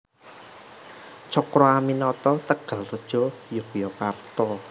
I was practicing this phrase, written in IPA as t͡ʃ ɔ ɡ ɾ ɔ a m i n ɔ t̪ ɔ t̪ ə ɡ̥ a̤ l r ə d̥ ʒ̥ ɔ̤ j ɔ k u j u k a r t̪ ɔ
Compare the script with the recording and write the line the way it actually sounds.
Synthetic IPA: t͡ʃ ɔ k ɾ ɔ a m i n ɔ t̪ ɔ t̪ ə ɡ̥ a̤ l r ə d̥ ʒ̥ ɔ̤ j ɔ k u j ɔ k a r t̪ ɔ